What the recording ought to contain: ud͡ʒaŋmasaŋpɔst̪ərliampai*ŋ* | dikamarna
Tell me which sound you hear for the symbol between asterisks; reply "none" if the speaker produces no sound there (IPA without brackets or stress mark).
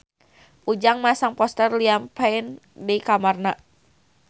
n